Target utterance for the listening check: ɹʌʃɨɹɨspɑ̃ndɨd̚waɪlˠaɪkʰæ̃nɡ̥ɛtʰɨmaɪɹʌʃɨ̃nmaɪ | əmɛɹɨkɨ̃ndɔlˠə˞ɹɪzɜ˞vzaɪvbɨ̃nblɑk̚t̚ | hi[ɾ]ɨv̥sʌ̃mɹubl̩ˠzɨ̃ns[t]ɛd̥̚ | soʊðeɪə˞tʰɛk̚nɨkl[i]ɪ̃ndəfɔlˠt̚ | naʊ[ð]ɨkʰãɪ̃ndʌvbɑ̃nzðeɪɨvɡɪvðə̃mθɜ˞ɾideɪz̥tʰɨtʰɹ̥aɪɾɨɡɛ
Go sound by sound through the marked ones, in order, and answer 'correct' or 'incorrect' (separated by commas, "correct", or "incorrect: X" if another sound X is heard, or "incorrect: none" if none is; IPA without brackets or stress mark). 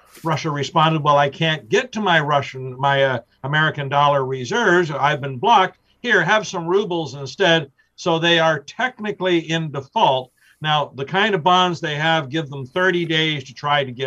incorrect: ɹ, correct, correct, correct